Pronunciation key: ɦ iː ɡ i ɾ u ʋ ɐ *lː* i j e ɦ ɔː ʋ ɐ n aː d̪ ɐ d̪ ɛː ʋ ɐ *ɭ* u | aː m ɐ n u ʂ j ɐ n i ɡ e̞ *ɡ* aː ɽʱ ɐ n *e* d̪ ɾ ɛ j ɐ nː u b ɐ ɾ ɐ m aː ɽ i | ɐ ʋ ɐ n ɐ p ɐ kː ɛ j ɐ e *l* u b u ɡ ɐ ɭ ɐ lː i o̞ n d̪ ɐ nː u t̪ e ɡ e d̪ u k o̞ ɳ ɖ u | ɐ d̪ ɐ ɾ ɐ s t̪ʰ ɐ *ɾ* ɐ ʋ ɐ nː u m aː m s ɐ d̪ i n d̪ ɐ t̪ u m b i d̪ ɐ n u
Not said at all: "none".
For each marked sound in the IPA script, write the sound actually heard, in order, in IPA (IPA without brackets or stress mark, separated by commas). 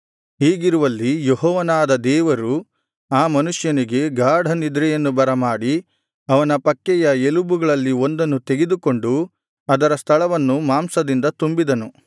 lː, ɾ, ɡ, i, l, ɭ